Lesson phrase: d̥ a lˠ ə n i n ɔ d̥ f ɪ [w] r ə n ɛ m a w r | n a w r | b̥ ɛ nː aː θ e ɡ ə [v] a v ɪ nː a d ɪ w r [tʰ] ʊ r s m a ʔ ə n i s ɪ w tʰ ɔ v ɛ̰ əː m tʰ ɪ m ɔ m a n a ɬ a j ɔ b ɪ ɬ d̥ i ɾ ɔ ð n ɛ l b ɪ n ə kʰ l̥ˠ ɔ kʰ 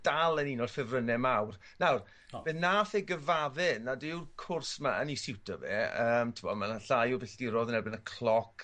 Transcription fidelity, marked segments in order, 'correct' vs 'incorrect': incorrect: v, correct, incorrect: kʰ

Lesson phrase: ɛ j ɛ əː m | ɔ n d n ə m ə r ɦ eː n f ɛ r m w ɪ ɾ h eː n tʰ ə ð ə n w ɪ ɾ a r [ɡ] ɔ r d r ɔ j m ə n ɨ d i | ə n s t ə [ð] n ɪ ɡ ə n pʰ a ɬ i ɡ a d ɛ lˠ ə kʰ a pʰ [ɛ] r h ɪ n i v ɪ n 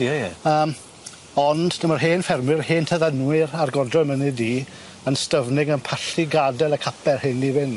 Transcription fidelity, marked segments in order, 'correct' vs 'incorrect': correct, incorrect: v, correct

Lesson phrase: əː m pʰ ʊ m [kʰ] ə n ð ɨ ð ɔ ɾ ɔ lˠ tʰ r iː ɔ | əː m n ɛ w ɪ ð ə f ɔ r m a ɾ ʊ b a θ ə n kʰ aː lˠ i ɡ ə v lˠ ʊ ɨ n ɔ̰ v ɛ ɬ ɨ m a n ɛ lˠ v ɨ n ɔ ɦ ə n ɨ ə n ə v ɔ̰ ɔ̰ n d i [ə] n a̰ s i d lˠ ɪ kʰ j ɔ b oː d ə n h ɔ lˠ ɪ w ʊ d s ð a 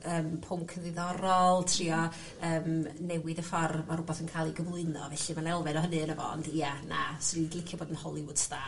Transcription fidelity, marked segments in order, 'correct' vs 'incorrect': correct, incorrect: a

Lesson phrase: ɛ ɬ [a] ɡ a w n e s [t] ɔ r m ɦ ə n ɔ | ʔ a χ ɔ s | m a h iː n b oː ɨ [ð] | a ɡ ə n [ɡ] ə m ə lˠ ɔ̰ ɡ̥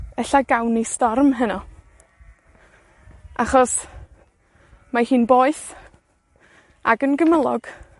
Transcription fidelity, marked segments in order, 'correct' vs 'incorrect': correct, correct, incorrect: θ, correct

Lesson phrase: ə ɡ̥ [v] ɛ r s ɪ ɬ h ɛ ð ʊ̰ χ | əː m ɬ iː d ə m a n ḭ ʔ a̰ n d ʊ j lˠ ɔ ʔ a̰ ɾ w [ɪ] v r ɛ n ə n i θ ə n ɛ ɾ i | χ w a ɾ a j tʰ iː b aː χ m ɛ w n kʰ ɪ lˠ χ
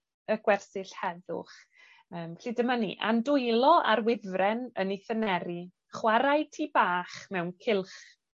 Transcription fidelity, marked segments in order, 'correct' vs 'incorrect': incorrect: w, correct

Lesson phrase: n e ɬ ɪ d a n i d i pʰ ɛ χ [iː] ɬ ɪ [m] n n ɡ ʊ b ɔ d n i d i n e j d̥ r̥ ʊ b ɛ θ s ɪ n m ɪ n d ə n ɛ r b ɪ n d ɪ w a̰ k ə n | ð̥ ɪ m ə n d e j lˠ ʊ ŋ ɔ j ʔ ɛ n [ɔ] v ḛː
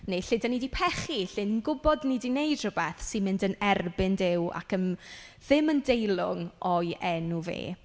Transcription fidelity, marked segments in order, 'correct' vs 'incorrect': incorrect: i, incorrect: none, incorrect: u

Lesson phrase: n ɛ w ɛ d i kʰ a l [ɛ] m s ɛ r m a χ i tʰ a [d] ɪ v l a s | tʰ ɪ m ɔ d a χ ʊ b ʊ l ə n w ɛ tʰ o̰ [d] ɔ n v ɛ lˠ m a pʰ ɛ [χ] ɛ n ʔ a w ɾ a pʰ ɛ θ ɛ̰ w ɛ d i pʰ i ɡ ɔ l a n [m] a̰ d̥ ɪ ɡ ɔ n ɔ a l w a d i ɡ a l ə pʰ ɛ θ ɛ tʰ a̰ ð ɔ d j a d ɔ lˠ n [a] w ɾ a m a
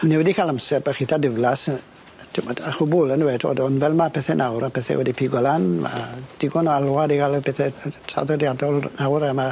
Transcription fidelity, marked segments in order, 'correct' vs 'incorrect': incorrect: a, correct, correct, incorrect: θ, correct, correct

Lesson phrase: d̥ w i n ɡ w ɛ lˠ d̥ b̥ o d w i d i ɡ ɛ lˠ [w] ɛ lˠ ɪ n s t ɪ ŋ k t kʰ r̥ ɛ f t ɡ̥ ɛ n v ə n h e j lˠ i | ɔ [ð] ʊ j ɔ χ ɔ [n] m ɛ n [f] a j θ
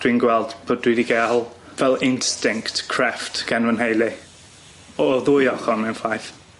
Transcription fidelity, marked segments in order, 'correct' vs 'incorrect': incorrect: v, correct, correct, correct

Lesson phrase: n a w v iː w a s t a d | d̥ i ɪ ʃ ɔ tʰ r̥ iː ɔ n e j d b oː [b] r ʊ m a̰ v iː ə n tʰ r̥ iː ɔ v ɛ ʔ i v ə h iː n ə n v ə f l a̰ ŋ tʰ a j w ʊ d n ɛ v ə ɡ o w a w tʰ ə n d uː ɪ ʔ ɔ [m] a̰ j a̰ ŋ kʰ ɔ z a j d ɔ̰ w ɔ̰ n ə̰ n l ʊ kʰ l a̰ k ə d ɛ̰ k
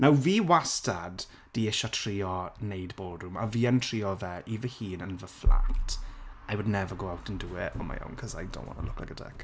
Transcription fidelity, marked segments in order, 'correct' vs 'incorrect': incorrect: d, correct

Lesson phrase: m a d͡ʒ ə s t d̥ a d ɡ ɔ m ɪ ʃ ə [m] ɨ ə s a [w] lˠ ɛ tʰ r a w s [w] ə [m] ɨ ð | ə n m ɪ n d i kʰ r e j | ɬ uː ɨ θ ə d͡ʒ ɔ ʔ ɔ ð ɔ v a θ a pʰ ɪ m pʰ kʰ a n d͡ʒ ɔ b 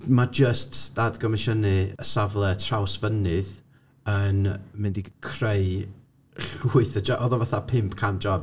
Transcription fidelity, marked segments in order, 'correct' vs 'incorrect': incorrect: n, incorrect: v, incorrect: v, incorrect: n

